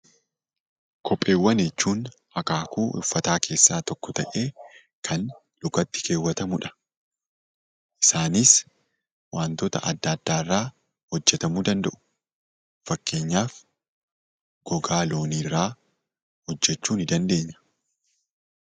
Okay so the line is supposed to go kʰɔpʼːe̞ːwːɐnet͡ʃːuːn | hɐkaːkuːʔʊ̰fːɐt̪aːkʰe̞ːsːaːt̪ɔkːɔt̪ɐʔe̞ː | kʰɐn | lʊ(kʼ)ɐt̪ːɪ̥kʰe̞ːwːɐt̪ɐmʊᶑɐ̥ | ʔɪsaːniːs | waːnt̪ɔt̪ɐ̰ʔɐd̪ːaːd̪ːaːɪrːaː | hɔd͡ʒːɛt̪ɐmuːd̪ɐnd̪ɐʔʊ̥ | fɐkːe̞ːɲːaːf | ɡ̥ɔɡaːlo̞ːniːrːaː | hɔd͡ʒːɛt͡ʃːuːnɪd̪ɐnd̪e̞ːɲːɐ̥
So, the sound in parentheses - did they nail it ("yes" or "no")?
no